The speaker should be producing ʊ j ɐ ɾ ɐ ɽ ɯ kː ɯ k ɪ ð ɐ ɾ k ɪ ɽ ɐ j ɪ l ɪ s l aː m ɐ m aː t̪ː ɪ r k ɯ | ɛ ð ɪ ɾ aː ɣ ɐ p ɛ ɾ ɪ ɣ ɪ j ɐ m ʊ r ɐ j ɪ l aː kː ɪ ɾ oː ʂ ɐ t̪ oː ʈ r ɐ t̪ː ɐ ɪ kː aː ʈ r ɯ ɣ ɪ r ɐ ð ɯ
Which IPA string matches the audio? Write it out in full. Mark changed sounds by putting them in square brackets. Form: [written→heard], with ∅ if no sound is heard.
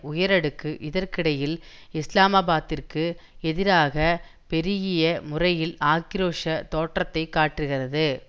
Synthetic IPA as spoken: ʊ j ɐ ɾ ɐ ɽ ɯ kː ɯ [k→ʔ] ɪ ð ɐ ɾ k ɪ ɽ ɐ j ɪ l ɪ s l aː m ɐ [m→b] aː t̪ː ɪ r k ɯ | ɛ ð ɪ ɾ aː ɣ ɐ p ɛ ɾ ɪ ɣ ɪ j ɐ m ʊ r ɐ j ɪ l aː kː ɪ ɾ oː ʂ ɐ t̪ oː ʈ r ɐ t̪ː ɐ ɪ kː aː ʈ r ɯ ɣ ɪ r ɐ ð ɯ

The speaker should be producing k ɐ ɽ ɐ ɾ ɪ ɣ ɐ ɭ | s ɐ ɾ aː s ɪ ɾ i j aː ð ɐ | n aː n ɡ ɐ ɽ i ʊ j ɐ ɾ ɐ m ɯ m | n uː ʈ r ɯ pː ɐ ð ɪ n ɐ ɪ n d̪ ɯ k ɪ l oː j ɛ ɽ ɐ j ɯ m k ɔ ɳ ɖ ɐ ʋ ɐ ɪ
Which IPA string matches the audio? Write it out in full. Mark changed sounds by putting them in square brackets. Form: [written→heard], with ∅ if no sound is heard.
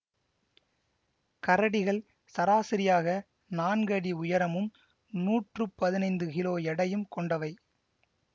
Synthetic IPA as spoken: k ɐ [ɽ→ɾ] ɐ [ɾ→ɽ] ɪ ɣ ɐ ɭ | s ɐ ɾ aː s ɪ ɾ [i→ɪ] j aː [ð→ɣ] ɐ | n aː n ɡ ɐ ɽ i ʊ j ɐ ɾ ɐ m ɯ m | n uː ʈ r ɯ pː ɐ ð ɪ n ɐ ɪ n d̪ ɯ k ɪ l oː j ɛ ɽ ɐ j ɯ m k ɔ ɳ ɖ ɐ ʋ ɐ ɪ

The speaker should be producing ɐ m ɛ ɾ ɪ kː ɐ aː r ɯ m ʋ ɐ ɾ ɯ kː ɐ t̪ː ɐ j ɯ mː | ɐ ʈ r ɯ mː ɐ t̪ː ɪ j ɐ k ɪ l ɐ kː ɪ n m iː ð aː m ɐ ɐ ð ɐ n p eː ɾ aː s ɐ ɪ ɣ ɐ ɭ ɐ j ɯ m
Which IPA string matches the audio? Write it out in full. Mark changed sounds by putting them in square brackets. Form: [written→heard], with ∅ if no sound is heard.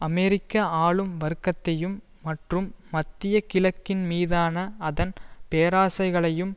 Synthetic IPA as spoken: ɐ m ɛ ɾ ɪ kː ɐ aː [r→ɭ] ɯ m ʋ ɐ ɾ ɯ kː ɐ t̪ː ɐ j ɯ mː | ɐ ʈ r ɯ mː ɐ t̪ː ɪ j ɐ k ɪ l ɐ kː ɪ n m iː ð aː [m→n] ɐ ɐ ð ɐ n p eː ɾ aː s ɐ ɪ ɣ ɐ ɭ ɐ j ɯ m

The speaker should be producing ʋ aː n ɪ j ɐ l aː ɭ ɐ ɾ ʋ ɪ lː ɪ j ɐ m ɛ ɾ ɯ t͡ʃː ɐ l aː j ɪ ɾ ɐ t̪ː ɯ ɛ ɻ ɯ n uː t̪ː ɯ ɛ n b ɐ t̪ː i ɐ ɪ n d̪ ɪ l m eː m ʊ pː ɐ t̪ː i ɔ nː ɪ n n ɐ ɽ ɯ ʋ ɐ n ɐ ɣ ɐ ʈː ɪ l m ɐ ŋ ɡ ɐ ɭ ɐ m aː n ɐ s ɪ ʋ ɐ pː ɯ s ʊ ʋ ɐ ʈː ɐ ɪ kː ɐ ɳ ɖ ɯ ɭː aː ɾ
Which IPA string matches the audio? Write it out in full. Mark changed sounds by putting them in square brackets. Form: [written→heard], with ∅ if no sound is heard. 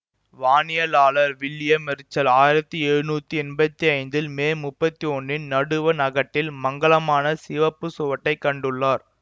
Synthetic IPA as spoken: ʋ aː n ɪ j ɐ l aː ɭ ɐ ɾ ʋ ɪ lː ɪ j ɐ m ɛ ɾ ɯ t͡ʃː ɐ l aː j ɪ ɾ ɐ t̪ː ɯ ɛ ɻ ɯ n uː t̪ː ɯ ɛ n b ɐ t̪ː i ɐ ɪ n d̪ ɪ l m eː m ʊ pː ɐ t̪ː i ɔ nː ɪ n n ɐ ɽ ɯ ʋ ɐ n ɐ ɣ ɐ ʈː ɪ l m ɐ ŋ ɡ ɐ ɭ ɐ m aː n ɐ s ɪ ʋ ɐ pː ɯ s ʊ ʋ ɐ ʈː ɐ ɪ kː ɐ ɳ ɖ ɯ ɭː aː ɾ

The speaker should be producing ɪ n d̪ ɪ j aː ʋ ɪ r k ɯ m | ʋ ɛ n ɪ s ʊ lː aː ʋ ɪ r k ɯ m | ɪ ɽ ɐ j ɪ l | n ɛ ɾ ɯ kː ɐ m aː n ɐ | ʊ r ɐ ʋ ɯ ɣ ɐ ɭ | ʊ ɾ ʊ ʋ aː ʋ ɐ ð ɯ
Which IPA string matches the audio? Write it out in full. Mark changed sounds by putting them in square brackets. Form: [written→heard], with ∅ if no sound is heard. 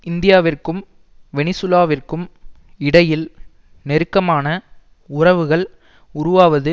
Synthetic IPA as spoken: ɪ n d̪ ɪ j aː ʋ ɪ r k ɯ m | ʋ ɛ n ɪ s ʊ [lː→l] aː ʋ ɪ r k ɯ m | ɪ ɽ ɐ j ɪ l | n ɛ ɾ ɯ kː ɐ m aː n ɐ | ʊ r ɐ ʋ ɯ ɣ ɐ ɭ | ʊ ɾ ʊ ʋ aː ʋ ɐ ð ɯ

